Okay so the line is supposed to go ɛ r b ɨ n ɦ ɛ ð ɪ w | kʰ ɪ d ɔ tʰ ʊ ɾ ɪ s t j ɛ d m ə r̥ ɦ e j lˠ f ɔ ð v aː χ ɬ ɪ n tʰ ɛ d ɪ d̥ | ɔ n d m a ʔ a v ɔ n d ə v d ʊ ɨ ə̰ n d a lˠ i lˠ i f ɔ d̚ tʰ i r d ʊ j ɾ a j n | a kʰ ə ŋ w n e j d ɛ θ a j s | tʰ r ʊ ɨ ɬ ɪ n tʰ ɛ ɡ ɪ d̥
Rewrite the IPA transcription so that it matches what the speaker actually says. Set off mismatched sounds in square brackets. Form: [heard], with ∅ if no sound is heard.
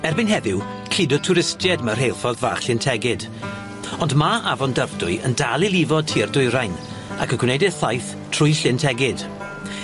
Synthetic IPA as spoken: ɛ r b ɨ n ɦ ɛ ð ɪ w | kʰ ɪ d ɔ tʰ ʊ ɾ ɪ s t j ɛ d m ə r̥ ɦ e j lˠ f ɔ ð v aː χ ɬ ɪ n tʰ ɛ [ɡ] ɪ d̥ | ɔ n d m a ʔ a v ɔ n d ə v d ʊ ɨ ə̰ n d a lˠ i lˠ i [v] ɔ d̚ tʰ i r d ʊ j ɾ a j n | a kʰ ə [ɡ] w n e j d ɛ θ a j [θ] | tʰ r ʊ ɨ ɬ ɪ n tʰ ɛ ɡ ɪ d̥